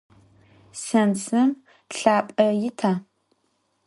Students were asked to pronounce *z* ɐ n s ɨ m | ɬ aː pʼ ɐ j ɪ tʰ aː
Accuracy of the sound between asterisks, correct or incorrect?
incorrect